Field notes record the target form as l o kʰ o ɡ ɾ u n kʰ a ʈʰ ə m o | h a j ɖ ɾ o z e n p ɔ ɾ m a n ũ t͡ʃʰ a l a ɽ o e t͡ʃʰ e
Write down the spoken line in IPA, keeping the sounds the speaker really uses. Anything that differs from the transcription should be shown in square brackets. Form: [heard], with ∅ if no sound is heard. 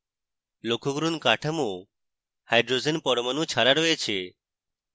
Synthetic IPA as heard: l o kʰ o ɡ ɾ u n [k] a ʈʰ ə m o | h a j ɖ ɾ o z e n p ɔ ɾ m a n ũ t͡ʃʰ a [ɾ] a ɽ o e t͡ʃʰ e